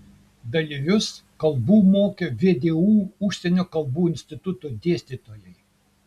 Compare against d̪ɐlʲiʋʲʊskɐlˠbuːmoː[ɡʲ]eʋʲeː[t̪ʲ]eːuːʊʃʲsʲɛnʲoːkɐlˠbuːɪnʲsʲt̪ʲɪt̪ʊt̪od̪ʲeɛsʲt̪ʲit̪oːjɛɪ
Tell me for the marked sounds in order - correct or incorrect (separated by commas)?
incorrect, incorrect